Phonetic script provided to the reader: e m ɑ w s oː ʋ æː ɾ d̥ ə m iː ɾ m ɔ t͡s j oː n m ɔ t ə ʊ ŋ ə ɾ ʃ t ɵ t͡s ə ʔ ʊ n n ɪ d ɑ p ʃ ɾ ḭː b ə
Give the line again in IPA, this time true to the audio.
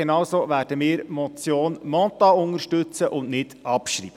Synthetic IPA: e n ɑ w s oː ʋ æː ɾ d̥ ə m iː ɾ m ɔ t͡s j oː n m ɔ t ɑ ʊ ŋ ə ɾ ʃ t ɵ t͡s ə ʔ ʊ n n ɪ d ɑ p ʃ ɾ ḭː b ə